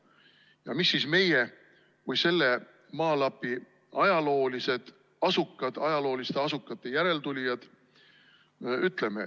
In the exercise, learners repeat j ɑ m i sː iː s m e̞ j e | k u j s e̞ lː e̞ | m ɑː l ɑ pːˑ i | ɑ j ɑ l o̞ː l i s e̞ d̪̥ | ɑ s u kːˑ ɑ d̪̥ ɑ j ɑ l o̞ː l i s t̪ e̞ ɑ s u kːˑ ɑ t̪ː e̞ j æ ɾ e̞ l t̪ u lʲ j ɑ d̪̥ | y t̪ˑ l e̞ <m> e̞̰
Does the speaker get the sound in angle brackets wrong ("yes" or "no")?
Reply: no